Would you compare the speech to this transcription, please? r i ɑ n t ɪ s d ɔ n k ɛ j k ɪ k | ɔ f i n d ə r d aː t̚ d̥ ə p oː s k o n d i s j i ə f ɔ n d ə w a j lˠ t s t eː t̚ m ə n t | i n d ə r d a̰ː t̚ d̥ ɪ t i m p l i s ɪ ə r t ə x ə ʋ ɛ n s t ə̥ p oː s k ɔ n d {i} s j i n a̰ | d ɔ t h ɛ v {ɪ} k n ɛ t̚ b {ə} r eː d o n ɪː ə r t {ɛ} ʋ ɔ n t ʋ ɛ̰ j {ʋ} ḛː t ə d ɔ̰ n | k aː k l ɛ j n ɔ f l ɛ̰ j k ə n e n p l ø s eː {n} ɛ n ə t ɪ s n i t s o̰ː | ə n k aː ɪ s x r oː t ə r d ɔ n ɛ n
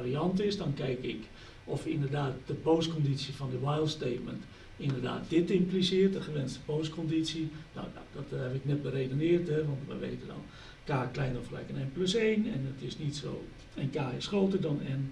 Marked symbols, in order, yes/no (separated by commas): yes, yes, yes, yes, yes, yes